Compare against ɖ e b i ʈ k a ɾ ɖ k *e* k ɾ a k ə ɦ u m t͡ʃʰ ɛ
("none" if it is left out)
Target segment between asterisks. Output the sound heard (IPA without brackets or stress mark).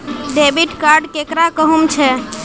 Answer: e